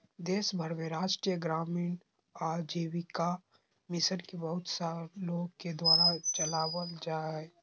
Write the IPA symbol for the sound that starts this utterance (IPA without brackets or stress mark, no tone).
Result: d̪